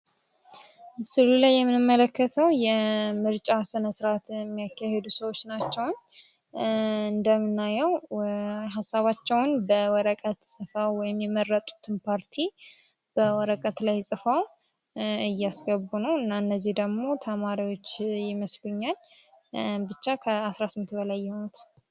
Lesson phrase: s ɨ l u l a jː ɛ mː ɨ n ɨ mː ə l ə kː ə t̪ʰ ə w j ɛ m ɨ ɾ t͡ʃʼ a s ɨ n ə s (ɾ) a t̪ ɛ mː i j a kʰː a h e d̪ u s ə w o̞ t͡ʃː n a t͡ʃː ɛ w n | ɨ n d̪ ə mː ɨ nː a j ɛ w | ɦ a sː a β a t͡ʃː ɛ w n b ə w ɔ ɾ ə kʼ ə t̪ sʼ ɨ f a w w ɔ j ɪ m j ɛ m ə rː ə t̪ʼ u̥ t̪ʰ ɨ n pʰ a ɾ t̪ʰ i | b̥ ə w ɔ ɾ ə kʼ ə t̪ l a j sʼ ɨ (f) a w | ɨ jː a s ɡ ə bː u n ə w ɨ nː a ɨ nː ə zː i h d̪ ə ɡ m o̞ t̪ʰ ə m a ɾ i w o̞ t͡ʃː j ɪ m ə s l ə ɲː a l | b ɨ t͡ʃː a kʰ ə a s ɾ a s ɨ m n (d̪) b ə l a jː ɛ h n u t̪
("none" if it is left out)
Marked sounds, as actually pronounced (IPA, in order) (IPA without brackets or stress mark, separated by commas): ɾ, f, t̪